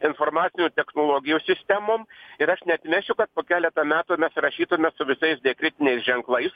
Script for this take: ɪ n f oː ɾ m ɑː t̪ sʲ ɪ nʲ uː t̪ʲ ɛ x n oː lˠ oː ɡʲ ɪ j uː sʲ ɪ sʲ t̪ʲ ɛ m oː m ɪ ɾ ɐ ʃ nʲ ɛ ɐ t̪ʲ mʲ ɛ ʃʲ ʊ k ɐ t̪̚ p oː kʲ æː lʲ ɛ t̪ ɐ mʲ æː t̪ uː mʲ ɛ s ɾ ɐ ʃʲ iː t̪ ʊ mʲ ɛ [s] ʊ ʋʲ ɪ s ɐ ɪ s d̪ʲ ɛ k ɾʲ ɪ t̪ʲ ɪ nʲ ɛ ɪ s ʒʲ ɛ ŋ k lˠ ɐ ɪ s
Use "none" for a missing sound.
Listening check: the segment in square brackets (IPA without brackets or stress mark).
s